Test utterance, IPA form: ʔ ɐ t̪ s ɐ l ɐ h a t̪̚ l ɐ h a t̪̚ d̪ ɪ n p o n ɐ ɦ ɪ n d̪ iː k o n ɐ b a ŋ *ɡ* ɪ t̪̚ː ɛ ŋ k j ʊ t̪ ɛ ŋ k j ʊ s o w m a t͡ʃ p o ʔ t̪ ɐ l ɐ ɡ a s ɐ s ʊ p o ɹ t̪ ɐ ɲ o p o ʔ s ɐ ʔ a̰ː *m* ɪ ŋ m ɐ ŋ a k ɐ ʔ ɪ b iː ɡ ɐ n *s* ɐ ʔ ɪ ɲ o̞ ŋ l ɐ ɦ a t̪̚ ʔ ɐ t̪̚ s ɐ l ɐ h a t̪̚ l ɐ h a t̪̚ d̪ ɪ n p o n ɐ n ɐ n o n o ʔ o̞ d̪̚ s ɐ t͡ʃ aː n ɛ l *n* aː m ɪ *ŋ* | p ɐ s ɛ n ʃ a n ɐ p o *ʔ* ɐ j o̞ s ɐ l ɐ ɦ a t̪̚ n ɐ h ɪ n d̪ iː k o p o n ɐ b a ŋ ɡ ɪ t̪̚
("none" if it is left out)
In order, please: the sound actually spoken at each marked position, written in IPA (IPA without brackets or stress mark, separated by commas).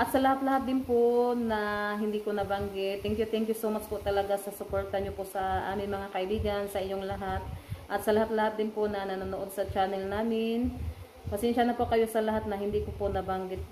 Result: ɡ, m, s, n, n, k